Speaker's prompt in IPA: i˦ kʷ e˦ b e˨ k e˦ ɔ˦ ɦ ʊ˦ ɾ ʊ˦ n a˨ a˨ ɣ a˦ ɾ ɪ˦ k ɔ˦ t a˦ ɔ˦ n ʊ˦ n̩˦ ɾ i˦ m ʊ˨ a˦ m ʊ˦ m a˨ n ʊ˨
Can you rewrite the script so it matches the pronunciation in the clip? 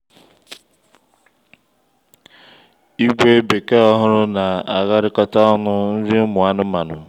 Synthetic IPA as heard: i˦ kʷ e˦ b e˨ k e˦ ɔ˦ ɦ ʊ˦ ɾ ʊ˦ n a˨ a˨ ɣ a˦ ɾ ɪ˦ k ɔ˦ t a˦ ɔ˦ n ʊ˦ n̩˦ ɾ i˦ m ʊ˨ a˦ n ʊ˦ m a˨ n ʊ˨

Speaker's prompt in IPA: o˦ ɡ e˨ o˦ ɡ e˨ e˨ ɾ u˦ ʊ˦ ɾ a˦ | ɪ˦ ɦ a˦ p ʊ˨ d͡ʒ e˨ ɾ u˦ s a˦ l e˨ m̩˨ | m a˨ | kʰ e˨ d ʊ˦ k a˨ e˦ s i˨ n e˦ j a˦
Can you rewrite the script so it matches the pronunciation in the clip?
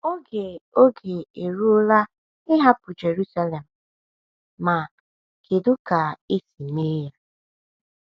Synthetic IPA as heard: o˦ ɡ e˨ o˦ ɡ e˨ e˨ ɾ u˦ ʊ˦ l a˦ | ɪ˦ ɦ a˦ p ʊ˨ d͡ʒ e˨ ɾ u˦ s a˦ l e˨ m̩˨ | m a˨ | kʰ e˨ d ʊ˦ k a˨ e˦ s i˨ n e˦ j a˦

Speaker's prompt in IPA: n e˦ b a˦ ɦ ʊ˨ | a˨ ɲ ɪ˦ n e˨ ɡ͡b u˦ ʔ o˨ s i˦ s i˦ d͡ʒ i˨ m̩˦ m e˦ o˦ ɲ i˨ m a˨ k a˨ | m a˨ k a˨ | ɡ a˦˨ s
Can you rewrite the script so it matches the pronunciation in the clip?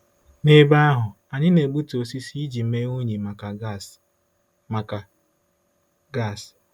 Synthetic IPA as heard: n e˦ b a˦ ɦ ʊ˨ | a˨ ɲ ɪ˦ n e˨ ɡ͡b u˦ t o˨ s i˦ s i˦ d͡ʒ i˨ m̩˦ m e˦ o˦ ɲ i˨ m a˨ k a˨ | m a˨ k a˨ | ɡ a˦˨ s

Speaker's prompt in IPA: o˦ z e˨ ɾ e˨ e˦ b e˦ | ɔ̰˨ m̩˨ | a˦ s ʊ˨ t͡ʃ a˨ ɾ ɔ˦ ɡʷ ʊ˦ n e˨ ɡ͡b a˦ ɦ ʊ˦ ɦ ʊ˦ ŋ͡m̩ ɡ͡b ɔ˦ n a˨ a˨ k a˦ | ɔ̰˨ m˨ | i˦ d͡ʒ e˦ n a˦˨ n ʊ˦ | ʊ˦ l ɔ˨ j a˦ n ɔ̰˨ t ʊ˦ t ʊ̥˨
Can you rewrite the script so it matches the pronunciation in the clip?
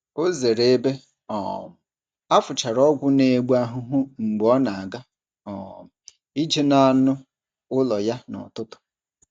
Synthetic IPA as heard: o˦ z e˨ ɾ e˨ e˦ b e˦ | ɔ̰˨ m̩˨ | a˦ f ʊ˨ t͡ʃ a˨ ɾ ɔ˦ ɡʷ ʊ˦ n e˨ ɡ͡b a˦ ɦ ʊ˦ ɦ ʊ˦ ŋ͡m̩ ɡ͡b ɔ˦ n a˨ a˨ ɡ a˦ | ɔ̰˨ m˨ | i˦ d͡ʒ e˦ n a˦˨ n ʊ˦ | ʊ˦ l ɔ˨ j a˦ n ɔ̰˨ t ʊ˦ t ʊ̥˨

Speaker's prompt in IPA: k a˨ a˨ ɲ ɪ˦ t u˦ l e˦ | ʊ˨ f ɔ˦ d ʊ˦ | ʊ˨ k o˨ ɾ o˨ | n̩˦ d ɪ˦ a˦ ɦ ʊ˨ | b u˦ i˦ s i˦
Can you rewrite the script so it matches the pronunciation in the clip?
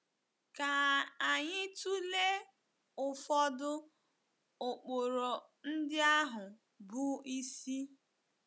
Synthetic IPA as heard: k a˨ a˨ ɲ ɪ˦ t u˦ l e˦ | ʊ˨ f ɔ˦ d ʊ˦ | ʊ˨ k͡p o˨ ɾ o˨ | n̩˦ d ɪ˦ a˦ ɦ ʊ˨ | b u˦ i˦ s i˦

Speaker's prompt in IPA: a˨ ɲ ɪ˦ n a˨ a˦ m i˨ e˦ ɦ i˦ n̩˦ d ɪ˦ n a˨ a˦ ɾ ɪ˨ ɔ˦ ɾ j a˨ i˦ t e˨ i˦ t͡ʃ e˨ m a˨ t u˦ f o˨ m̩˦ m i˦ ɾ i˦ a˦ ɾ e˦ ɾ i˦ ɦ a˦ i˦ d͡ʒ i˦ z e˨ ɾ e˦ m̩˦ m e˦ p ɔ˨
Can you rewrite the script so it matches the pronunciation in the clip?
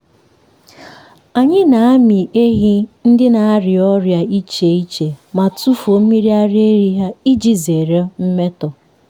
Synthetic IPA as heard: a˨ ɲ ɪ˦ n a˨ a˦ m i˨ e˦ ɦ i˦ n̩˦ d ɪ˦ n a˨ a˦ ɾ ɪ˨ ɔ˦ ɾ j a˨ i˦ t͡ʃ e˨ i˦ t͡ʃ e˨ m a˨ t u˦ f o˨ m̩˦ m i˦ ɾ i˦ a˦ ɾ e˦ ɾ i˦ ɦ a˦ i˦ d͡ʒ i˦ z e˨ ɾ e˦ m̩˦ m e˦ t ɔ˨

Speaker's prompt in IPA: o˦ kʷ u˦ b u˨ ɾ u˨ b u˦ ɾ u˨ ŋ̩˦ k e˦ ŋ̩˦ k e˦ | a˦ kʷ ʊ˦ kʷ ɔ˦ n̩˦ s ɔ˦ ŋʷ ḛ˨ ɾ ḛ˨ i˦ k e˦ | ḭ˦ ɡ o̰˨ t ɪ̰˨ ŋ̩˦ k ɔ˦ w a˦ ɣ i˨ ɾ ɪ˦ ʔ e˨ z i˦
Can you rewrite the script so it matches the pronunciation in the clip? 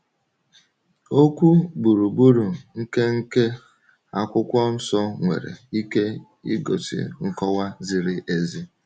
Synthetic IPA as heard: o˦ kʷ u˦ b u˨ ɾ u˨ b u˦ ɾ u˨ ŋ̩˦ k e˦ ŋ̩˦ k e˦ | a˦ kʷ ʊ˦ kʷ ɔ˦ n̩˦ s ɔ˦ ŋʷ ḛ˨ ɾ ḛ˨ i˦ k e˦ | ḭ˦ ɡ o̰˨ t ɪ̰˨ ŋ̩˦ k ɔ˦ w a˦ z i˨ ɾ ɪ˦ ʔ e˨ z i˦

